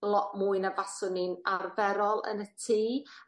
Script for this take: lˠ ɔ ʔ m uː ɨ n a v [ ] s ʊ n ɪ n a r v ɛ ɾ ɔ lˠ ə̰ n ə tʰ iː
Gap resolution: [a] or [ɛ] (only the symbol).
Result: a